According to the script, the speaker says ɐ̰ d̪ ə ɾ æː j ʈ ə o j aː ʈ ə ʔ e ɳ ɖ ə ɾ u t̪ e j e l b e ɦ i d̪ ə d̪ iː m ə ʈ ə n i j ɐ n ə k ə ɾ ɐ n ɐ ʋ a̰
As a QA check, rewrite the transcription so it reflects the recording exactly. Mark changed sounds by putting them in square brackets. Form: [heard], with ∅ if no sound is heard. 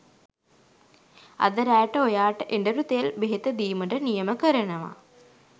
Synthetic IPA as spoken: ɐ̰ d̪ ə ɾ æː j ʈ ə o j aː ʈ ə ʔ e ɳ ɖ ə ɾ u t̪ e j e l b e ɦ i [t̪] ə d̪ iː m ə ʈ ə n i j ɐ [m] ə k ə ɾ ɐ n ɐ ʋ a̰